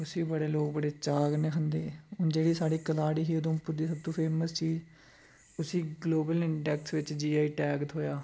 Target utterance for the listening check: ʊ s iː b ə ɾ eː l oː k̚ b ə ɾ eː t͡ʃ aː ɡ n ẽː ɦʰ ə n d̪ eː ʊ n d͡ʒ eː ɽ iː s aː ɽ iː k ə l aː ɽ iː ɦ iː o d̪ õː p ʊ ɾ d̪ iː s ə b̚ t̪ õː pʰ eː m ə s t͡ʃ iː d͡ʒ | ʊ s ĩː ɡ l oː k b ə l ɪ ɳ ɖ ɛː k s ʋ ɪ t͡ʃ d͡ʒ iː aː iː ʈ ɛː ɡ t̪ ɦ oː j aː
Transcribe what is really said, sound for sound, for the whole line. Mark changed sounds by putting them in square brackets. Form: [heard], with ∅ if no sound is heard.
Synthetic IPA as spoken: ʊ s iː b ə [ɽ] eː l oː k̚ b ə [ɽ] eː t͡ʃ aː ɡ n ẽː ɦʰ ə n d̪ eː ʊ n d͡ʒ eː ɽ iː s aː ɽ iː k ə l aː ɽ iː ɦ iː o d̪ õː p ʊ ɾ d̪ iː s ə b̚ t̪ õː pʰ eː m ə s t͡ʃ iː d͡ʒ | ʊ s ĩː ɡ l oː [∅] b ə l ɪ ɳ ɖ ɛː k s ʋ ɪ t͡ʃ d͡ʒ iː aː iː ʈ ɛː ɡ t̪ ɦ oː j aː

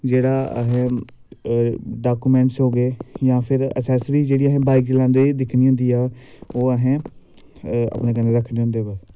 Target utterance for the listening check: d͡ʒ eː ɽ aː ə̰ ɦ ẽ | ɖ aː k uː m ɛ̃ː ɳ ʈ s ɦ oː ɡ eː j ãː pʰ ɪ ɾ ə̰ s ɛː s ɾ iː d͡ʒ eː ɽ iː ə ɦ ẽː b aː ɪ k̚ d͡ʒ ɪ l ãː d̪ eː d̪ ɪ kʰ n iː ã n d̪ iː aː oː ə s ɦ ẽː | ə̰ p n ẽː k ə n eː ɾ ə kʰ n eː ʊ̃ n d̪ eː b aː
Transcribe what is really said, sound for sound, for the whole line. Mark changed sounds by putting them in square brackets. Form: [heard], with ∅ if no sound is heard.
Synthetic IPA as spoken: d͡ʒ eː ɽ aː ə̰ ɦ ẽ | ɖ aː k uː m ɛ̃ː ɳ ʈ s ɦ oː ɡ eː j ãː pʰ ɪ ɾ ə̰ s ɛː s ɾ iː d͡ʒ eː ɽ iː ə ɦ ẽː b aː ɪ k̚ d͡ʒ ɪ l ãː d̪ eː d̪ ɪ kʰ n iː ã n d̪ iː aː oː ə [∅] ɦ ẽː | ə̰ p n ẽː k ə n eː ɾ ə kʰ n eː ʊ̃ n d̪ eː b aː

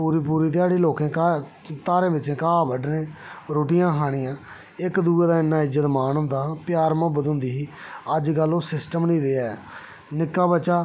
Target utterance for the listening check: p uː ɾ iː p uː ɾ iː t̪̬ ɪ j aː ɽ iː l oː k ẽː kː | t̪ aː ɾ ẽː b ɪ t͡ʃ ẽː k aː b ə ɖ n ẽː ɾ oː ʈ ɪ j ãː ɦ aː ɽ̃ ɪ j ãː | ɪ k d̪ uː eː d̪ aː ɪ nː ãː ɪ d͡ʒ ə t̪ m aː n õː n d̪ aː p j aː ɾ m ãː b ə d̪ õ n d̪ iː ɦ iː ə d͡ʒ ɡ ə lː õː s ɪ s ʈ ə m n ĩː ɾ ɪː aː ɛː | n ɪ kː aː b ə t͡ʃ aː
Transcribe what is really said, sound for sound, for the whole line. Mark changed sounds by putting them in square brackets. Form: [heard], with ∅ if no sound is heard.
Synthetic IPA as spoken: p uː ɾ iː p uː ɾ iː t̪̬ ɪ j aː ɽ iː l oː k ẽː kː | t̪ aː ɾ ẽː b ɪ t͡ʃ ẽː k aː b ə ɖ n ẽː ɾ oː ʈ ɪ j ãː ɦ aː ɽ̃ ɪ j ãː | ɪ k d̪ uː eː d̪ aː ɪ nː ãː ɪ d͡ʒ ə t̪ m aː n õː n d̪ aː p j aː ɾ m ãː b ə d̪ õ n d̪ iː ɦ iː ə d͡ʒ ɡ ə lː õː s ɪ s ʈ ə m n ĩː ɾ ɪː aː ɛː | n ɪ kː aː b ə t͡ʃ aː

